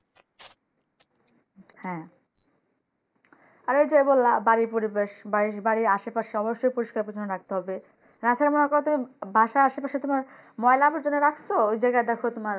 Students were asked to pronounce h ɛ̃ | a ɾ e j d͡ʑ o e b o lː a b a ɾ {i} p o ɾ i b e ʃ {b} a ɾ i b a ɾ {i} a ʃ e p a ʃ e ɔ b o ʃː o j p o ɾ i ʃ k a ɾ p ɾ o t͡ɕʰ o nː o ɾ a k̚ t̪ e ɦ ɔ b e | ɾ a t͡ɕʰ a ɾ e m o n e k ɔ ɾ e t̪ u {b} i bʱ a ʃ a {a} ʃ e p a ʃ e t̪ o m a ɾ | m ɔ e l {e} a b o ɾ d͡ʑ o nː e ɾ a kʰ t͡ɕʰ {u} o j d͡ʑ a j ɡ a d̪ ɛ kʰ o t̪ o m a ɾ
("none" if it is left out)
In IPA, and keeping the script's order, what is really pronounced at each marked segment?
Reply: i, b, i, m, a, a, o

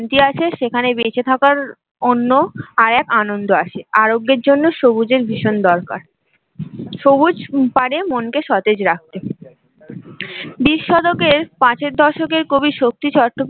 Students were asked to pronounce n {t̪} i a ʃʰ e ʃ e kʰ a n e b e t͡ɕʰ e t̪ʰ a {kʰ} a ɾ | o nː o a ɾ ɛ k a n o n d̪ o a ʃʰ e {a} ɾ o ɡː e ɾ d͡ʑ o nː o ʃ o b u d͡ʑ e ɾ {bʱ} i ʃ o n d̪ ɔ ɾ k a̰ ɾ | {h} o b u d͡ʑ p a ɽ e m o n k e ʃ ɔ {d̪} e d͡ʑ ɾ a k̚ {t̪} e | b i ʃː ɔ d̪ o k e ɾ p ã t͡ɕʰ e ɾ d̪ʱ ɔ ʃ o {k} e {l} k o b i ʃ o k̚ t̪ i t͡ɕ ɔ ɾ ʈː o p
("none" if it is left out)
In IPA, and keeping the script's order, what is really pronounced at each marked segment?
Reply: t̪, k, a, bʱ, ʃ, t̪, t̪, k, ɾ

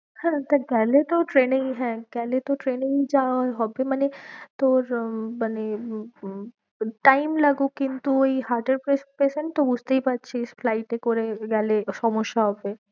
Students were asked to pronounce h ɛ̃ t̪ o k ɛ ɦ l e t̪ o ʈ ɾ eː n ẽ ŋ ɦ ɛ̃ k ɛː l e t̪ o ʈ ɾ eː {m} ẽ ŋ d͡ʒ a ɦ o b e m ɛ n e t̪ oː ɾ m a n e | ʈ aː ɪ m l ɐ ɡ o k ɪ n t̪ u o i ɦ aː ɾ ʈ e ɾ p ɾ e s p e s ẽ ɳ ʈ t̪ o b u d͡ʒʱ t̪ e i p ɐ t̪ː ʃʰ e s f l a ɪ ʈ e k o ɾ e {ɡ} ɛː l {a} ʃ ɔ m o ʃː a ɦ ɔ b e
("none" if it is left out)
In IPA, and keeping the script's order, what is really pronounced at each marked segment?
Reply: n, ɡ, e

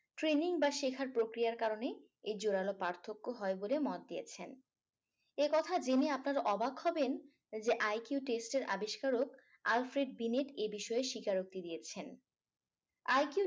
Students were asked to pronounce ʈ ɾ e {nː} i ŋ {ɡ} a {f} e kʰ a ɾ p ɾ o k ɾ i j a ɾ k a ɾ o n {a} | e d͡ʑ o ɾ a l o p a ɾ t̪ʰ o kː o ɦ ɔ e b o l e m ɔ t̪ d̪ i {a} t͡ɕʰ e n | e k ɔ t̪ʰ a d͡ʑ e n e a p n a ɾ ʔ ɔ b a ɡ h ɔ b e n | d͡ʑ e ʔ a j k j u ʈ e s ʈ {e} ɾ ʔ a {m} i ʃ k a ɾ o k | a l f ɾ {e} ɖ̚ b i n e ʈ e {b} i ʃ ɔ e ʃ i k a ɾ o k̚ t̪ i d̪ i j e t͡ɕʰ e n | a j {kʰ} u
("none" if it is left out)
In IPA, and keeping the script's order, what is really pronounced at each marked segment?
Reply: n, b, ʃ, e, e, e, b, e, b, k

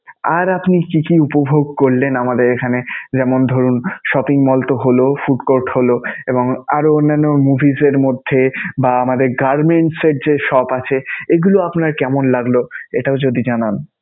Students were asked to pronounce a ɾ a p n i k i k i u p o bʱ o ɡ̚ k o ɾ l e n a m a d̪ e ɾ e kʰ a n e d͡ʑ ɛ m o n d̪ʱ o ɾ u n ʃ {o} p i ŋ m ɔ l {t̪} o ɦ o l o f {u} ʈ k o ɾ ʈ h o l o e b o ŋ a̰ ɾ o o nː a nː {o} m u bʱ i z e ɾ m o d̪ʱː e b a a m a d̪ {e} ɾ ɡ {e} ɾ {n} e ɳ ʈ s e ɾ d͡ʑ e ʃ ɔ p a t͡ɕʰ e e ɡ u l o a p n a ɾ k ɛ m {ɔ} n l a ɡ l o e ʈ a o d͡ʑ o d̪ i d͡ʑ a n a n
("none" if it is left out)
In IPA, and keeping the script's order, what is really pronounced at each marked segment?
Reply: ɔ, t̪, u, o, e, a, m, o

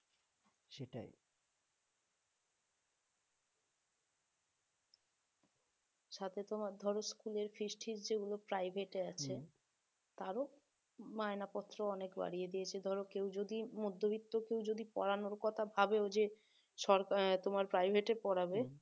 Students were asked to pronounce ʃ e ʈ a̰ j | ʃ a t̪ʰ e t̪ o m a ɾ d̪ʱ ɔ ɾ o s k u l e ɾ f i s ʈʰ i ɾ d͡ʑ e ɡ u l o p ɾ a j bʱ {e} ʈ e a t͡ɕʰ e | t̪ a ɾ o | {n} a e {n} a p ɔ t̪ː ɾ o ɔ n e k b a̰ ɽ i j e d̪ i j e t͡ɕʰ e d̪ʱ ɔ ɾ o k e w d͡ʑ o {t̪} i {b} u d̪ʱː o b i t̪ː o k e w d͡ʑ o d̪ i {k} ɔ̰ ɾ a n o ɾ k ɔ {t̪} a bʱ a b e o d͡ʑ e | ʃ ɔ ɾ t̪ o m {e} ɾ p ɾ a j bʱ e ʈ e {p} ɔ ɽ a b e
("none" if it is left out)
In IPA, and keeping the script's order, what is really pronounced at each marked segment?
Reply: e, m, n, d̪, m, p, t̪ʰ, a, p

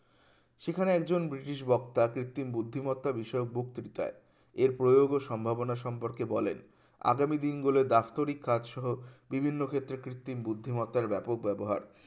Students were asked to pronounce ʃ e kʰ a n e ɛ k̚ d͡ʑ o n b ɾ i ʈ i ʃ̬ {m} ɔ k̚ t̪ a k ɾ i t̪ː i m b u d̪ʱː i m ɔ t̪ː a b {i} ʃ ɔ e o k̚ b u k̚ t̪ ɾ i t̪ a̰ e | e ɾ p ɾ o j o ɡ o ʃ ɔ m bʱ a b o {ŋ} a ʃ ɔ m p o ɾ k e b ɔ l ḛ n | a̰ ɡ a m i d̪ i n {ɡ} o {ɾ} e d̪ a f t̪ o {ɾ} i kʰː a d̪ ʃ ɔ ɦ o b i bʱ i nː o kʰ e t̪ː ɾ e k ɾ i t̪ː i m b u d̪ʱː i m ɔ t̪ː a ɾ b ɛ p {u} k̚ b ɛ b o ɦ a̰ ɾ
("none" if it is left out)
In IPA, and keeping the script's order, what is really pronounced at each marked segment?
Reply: b, i, n, ɡ, l, ɾ, o

